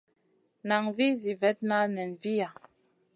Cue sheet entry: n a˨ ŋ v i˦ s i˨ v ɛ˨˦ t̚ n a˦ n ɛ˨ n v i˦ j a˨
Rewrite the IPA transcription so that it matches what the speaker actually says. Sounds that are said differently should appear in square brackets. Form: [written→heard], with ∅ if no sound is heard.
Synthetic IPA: n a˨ ŋ v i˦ [s→z] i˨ v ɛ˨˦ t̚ n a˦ n ɛ˨ n v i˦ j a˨